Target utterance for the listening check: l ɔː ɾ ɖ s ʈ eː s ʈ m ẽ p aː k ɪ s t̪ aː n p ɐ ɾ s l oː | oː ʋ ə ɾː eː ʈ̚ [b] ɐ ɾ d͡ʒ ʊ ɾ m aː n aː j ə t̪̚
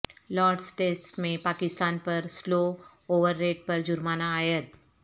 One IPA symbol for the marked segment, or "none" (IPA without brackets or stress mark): p